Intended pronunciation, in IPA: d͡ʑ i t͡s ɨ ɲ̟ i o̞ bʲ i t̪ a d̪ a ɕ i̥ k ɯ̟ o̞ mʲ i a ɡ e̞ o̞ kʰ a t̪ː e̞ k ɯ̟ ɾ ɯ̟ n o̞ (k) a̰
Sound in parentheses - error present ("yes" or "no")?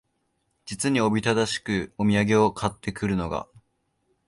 yes